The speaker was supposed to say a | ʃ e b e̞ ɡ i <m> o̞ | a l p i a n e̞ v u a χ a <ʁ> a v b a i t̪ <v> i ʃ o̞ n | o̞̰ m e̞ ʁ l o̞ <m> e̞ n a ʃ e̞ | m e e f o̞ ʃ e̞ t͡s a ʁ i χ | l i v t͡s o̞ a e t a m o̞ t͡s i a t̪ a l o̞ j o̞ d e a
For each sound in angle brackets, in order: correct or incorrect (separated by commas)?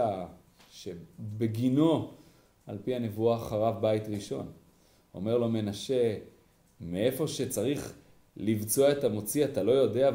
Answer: incorrect, correct, incorrect, correct